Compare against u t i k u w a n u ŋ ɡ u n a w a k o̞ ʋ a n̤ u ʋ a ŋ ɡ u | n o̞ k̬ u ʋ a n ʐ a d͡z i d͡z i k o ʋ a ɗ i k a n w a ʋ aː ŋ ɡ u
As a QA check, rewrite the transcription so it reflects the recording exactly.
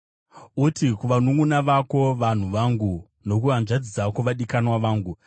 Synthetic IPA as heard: u t i k u ʋ a n u ŋ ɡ u n a ʋ a k o̞ ʋ a n̤ u ʋ a ŋ ɡ u | n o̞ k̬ u ʋ a n ʐ a d͡z i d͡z a k o ʋ a ɗ i k a n w a ʋ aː ŋ ɡ u